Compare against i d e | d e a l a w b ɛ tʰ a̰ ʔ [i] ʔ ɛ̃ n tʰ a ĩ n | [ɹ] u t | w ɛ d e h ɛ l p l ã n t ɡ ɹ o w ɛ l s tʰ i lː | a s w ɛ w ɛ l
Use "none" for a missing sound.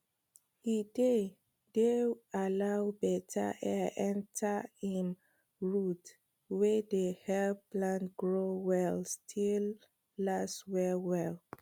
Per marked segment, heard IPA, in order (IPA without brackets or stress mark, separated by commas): ɛ, ɹ